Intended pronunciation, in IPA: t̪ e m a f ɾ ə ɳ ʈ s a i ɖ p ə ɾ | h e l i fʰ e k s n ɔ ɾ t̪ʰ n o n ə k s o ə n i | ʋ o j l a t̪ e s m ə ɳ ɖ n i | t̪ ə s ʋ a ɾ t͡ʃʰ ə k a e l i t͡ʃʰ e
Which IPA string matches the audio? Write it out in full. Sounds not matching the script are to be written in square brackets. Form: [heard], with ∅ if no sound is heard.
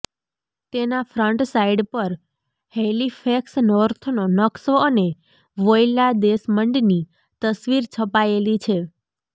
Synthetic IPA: t̪ e [n] a f ɾ ə ɳ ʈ s a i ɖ p ə ɾ | h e l i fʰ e k s n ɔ ɾ t̪ʰ n o n ə k s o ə n [e] | ʋ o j l a [d̪] e s m ə ɳ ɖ n i | t̪ ə s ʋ [i] ɾ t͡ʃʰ ə [p] a e l i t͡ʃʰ e